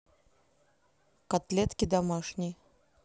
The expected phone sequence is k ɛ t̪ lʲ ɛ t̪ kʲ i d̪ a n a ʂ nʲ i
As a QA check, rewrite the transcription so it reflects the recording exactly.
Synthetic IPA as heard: k a t̪ lʲ ɛ t̪ kʲ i d̪ a m a ʂ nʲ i